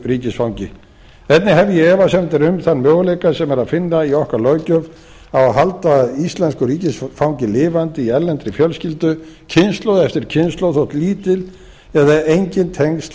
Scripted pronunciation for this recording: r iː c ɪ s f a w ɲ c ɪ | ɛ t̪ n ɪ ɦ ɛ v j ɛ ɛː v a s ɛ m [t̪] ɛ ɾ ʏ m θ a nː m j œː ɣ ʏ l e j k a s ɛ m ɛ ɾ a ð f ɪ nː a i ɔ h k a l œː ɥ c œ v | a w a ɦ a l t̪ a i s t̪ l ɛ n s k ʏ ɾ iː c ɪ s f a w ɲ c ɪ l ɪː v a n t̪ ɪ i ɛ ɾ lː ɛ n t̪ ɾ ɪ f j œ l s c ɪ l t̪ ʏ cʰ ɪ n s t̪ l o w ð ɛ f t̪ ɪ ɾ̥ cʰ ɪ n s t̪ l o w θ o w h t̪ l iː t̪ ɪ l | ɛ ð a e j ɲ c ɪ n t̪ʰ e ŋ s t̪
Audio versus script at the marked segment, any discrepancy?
no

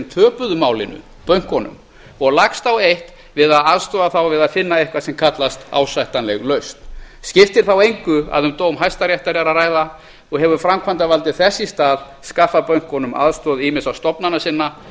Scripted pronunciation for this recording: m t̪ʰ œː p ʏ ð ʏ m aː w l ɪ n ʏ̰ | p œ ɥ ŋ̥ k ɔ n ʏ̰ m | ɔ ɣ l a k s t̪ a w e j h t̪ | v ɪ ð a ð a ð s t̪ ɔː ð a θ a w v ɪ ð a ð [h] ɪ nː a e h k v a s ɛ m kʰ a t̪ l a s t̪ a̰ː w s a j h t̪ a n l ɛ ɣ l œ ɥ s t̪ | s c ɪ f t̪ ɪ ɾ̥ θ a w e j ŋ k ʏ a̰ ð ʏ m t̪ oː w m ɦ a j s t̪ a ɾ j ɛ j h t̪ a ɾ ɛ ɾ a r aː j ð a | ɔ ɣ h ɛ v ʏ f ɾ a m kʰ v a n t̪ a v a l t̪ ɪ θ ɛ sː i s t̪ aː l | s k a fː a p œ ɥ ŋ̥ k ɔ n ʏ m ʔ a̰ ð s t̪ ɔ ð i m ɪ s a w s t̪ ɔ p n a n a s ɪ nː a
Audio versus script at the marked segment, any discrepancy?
yes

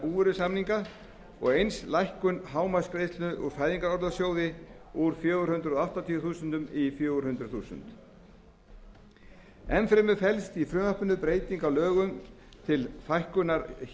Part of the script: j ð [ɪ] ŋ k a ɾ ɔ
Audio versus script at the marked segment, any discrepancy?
yes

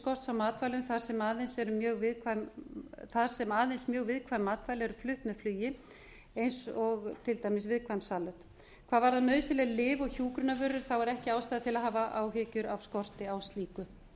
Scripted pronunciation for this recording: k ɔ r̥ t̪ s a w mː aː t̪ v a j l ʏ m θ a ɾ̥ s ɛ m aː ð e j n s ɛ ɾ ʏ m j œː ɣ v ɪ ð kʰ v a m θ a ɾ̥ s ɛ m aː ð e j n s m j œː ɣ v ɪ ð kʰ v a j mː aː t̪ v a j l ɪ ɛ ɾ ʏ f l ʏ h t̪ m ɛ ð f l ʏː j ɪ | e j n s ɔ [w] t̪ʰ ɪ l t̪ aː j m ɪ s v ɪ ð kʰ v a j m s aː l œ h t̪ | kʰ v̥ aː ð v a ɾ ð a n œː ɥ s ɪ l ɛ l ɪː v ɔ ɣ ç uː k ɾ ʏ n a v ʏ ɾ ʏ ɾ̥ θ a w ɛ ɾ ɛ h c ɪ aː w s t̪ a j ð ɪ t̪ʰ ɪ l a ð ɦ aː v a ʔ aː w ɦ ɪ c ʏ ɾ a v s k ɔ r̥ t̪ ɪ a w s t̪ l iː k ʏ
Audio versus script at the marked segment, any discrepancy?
yes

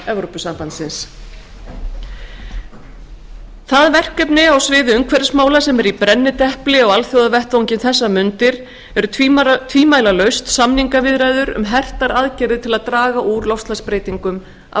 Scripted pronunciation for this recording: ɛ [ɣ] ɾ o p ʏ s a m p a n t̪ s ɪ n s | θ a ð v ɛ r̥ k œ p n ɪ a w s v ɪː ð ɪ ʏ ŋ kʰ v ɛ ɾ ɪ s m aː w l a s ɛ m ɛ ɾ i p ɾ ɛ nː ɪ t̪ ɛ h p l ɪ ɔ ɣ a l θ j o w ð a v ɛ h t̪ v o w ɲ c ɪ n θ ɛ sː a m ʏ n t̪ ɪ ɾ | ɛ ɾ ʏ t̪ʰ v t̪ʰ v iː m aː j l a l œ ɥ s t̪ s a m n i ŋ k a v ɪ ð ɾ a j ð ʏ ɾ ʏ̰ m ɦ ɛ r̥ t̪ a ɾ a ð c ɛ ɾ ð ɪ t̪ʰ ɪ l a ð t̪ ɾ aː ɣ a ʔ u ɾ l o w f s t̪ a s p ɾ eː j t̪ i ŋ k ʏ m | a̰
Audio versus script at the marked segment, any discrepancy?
yes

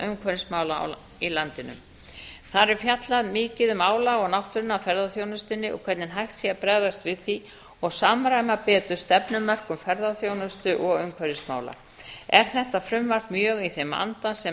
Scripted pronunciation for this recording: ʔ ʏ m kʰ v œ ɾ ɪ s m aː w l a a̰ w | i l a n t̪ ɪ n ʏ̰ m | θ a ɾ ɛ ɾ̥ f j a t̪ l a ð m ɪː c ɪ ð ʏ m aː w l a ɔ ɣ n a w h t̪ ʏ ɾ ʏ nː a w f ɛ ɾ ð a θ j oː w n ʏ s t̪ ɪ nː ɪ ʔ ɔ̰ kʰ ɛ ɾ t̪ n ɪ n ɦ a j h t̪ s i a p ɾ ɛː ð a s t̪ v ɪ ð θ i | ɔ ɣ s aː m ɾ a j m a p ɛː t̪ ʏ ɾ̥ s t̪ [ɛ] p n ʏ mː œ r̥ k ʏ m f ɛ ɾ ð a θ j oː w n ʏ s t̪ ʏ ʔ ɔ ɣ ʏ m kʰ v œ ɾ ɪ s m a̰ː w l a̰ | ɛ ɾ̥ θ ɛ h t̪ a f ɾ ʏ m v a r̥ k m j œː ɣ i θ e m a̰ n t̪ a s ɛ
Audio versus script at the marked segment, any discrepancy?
no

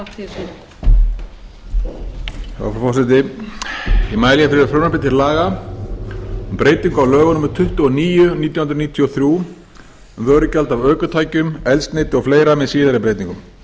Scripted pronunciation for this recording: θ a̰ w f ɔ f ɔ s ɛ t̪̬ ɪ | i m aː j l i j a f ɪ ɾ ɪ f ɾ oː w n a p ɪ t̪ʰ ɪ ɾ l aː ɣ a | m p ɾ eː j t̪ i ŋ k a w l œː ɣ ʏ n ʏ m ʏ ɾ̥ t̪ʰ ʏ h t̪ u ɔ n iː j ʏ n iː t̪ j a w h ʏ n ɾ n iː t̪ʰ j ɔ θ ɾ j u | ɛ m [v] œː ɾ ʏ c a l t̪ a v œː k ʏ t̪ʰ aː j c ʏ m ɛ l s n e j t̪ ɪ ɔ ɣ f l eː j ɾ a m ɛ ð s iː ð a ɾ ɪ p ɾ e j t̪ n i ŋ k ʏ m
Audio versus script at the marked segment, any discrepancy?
no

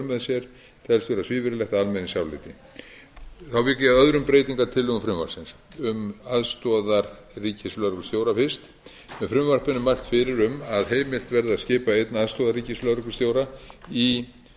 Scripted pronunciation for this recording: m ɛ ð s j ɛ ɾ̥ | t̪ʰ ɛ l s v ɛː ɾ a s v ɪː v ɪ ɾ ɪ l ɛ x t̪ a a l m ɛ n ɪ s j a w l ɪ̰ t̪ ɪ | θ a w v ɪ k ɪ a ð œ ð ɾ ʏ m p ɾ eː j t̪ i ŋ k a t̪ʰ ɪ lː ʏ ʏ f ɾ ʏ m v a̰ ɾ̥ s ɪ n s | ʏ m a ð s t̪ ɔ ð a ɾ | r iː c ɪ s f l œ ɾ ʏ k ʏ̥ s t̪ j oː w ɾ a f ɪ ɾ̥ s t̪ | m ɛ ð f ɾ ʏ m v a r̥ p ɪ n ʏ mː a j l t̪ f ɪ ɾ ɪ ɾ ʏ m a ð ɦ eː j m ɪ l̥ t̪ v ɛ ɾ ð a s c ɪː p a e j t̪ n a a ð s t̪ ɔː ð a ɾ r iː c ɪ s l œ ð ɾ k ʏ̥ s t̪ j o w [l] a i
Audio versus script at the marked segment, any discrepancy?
yes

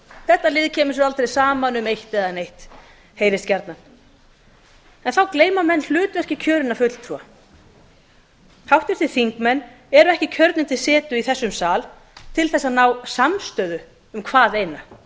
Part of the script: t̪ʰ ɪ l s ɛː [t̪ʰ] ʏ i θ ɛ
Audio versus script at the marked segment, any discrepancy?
yes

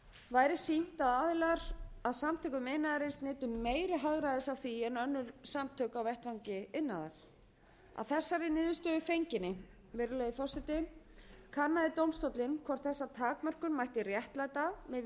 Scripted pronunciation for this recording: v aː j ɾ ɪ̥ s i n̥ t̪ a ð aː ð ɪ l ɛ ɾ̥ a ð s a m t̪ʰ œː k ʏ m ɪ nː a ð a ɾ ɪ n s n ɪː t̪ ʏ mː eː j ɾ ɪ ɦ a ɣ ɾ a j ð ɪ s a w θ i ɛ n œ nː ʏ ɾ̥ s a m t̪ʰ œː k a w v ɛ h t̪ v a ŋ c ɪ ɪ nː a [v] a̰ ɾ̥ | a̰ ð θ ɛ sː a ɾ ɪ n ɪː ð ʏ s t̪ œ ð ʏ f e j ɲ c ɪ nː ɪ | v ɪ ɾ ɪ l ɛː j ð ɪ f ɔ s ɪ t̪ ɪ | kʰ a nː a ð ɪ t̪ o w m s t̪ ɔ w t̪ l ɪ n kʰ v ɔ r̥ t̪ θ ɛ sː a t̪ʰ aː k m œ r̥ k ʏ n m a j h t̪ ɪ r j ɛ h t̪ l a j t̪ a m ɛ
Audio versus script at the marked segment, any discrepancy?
yes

